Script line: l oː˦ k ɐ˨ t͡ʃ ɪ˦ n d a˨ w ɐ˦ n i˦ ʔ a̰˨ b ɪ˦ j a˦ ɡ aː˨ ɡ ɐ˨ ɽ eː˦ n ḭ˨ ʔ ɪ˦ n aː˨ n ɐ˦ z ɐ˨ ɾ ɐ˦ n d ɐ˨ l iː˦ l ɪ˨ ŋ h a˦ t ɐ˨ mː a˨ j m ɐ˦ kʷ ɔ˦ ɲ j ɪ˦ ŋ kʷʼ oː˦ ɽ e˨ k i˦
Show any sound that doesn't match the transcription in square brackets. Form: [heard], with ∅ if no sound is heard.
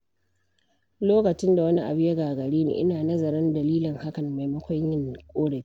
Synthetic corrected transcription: l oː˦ k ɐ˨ t͡ʃ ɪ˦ n d a˨ w ɐ˦ n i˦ ʔ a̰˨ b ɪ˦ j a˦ ɡ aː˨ ɡ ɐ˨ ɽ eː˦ n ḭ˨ ʔ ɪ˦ n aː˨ n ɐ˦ z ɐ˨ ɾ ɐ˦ n d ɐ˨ l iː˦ l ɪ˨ ŋ h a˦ [k] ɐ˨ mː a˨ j m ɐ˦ kʷ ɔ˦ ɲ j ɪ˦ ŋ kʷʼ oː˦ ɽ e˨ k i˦